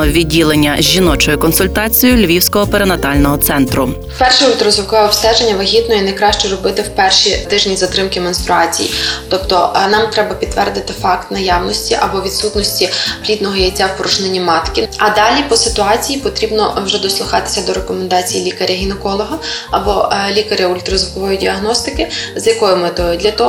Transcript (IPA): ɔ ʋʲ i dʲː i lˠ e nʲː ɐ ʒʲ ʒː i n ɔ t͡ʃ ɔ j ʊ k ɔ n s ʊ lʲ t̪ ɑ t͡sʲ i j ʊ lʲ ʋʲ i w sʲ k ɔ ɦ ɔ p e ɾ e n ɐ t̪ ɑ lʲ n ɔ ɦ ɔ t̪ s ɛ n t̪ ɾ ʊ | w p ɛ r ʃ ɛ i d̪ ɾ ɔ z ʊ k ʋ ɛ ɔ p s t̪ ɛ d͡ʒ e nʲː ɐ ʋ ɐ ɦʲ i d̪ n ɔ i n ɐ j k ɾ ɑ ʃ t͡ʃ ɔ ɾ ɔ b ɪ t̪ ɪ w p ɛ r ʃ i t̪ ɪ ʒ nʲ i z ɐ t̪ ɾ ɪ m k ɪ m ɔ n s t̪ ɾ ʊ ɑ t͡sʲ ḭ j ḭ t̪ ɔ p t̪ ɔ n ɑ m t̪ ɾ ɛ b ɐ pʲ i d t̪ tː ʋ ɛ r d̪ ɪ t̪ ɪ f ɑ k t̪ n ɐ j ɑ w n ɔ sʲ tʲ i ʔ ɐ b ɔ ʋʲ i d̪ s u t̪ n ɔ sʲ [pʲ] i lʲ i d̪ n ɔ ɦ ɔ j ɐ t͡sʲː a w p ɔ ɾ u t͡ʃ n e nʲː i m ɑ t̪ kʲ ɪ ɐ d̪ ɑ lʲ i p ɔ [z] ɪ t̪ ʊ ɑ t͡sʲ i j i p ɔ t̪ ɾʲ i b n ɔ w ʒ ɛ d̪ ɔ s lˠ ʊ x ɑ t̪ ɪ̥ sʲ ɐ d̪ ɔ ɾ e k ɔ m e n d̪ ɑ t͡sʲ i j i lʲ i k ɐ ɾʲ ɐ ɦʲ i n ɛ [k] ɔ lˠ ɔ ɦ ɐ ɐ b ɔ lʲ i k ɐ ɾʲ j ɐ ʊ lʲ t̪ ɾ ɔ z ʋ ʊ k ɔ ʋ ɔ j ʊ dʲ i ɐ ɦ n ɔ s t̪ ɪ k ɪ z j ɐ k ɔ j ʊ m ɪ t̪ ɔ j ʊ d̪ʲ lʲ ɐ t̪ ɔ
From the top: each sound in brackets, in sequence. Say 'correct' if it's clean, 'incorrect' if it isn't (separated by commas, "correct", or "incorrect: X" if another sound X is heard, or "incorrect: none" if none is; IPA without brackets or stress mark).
incorrect: tʲ, incorrect: s, correct